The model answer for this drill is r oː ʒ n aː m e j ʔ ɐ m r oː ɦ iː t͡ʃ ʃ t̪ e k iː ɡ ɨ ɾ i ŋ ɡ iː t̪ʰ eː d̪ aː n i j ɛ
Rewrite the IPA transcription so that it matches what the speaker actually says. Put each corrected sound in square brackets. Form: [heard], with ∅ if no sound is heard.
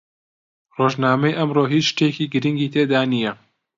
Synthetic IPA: r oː ʒ n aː m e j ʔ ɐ m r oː ɦ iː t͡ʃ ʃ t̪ e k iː ɡ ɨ ɾ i ŋ ɡ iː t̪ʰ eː d̪ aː n i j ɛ